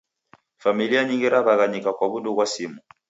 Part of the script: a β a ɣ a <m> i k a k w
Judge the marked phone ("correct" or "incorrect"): incorrect